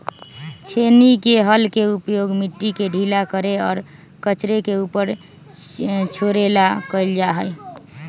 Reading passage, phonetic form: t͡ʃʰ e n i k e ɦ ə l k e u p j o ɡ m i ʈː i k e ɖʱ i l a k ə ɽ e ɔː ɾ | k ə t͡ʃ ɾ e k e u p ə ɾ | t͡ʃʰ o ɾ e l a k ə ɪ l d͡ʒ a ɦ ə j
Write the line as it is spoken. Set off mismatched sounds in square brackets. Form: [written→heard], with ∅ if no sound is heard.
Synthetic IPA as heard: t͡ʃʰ e n i k e ɦ ə l k e u p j o ɡ m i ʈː i k e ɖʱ i l a k ə [ɽ→ɾ] e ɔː ɾ | k ə t͡ʃ ɾ e k e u p ə ɾ | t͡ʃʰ o ɾ e l a k ə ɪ l d͡ʒ a ɦ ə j